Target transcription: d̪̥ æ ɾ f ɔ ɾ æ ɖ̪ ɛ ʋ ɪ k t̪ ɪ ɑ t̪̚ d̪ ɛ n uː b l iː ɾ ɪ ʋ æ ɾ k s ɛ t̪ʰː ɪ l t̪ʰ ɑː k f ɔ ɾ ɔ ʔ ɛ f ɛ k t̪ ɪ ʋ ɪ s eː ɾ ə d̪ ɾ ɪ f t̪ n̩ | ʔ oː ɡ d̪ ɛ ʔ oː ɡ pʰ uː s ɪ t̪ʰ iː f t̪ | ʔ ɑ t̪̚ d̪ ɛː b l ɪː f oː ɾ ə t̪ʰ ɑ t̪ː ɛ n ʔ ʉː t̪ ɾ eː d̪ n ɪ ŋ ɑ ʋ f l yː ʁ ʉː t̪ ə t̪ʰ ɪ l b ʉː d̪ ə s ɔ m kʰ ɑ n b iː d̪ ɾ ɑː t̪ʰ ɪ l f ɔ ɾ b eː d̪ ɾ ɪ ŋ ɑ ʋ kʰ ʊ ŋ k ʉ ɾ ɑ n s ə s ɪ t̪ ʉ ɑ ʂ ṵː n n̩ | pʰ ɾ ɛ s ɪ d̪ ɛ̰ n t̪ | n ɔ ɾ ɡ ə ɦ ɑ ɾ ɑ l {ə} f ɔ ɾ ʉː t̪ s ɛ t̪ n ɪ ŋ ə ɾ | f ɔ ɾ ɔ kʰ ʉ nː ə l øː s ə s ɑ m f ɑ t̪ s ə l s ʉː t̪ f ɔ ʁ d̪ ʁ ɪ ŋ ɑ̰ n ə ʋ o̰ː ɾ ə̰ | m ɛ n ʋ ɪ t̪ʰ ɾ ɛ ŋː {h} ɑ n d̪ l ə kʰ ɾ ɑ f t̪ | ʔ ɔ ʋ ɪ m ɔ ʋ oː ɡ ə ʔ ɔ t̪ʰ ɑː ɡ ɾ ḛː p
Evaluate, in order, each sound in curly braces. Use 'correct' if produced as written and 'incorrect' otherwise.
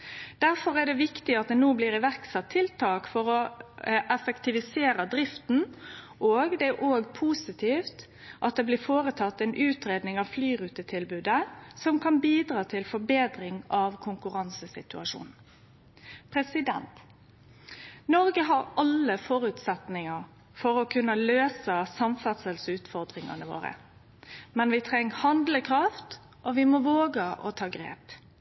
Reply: correct, correct

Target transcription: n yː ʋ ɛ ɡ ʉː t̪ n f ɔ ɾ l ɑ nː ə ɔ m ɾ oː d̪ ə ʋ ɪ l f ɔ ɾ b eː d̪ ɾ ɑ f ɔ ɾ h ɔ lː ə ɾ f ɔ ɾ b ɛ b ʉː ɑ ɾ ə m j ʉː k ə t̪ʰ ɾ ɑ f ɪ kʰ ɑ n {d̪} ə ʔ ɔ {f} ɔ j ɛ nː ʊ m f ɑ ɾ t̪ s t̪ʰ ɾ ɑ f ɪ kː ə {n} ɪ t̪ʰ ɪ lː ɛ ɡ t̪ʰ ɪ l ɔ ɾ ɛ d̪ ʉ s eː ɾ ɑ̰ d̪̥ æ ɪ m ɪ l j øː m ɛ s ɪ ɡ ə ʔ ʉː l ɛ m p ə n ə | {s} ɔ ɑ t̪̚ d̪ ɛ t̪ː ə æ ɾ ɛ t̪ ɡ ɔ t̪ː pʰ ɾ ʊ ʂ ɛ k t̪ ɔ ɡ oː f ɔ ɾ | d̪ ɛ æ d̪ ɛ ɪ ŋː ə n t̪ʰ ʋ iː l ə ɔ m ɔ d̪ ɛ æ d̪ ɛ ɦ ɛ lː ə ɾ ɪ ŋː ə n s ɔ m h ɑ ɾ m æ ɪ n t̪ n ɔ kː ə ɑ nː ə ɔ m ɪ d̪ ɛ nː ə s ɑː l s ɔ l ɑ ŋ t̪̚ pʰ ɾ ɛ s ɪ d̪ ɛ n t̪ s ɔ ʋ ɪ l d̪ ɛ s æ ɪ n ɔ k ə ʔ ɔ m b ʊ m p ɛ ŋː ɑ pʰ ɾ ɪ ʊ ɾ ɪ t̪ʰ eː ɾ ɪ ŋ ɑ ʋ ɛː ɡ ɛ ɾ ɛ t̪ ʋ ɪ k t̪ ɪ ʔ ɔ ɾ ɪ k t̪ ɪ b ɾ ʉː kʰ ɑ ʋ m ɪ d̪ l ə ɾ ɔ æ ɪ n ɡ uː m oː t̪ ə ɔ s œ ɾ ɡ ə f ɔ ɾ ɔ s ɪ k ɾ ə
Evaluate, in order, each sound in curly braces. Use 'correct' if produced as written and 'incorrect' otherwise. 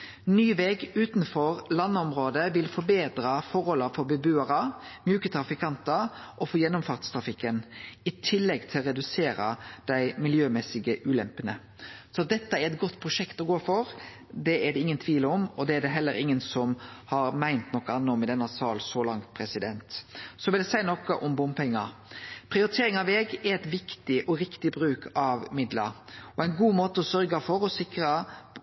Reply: incorrect, correct, correct, correct

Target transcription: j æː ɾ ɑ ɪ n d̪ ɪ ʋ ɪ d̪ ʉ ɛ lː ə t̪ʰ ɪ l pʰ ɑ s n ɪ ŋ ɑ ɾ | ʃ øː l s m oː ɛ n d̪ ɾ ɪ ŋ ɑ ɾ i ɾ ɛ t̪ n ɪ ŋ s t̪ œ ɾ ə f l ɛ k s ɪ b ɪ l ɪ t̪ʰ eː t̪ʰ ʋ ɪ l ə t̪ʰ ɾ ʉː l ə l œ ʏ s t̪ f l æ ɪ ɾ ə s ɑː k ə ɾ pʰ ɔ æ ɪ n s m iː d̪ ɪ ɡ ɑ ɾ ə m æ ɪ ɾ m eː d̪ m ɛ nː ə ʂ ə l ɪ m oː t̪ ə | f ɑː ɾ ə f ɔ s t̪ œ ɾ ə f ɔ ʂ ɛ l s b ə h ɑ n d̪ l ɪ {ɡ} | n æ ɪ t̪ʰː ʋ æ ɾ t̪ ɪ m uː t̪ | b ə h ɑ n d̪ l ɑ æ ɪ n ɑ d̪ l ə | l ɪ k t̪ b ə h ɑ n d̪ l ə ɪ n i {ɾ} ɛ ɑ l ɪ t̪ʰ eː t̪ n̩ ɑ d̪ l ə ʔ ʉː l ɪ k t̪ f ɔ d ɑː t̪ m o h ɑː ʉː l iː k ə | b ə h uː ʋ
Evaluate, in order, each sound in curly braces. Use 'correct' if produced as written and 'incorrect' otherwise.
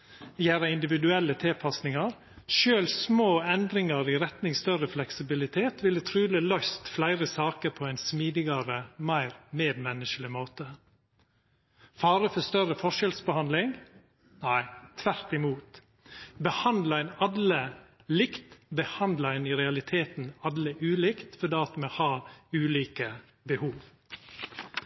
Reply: incorrect, correct

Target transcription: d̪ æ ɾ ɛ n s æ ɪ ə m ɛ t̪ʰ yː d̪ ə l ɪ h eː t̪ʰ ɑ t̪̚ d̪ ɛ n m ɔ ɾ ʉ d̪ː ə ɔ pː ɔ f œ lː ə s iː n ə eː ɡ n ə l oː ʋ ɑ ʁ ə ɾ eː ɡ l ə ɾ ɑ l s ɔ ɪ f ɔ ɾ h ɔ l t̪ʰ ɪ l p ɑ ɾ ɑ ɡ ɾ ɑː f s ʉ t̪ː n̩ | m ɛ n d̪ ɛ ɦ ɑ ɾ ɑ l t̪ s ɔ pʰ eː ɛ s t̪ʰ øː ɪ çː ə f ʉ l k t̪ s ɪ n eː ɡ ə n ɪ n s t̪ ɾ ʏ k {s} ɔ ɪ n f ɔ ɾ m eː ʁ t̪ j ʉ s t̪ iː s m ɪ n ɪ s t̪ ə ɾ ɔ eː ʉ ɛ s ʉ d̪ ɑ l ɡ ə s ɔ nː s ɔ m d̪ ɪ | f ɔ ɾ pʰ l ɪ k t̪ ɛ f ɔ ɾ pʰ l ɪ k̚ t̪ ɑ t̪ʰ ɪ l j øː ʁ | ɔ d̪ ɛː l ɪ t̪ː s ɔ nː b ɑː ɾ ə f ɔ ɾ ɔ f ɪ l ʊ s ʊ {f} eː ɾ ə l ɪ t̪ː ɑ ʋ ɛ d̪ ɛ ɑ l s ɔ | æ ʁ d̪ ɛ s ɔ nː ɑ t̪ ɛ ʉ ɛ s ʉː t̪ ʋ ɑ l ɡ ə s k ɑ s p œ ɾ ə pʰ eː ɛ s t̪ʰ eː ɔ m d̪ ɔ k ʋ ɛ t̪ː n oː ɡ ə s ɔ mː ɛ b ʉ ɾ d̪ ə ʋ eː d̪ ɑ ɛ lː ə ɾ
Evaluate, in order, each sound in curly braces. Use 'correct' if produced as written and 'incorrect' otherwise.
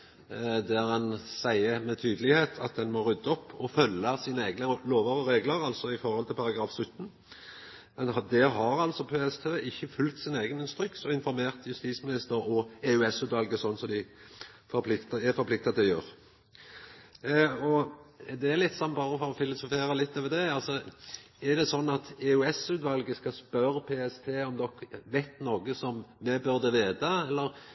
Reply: correct, correct

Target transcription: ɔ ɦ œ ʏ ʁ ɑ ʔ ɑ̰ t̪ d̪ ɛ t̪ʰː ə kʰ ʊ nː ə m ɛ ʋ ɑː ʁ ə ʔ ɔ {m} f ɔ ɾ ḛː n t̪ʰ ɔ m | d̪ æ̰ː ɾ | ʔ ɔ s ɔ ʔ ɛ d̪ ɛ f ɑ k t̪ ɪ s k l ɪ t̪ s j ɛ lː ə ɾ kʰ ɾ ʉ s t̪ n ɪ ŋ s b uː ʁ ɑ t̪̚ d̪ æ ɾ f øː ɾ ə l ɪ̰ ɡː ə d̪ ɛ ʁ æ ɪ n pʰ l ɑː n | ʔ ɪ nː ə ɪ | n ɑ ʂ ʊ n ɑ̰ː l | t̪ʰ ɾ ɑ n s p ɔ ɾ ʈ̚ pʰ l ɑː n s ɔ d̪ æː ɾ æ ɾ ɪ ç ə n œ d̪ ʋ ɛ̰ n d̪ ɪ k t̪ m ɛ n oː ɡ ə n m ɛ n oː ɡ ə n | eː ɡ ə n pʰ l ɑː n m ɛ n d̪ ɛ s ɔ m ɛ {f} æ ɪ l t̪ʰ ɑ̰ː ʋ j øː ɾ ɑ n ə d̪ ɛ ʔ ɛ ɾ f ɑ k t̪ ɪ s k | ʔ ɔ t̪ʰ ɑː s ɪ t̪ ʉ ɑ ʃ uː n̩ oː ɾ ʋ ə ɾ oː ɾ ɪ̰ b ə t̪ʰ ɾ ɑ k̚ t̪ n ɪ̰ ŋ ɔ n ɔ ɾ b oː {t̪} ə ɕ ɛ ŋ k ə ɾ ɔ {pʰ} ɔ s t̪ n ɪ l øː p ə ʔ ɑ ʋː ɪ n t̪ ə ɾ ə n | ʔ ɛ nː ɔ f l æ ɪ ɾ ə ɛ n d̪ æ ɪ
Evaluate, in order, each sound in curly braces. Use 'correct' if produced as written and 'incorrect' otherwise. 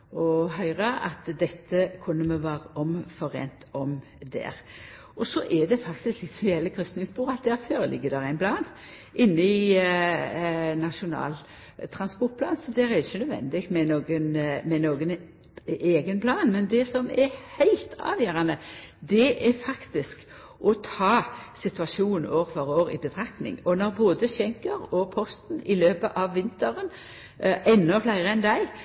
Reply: correct, incorrect, incorrect, correct

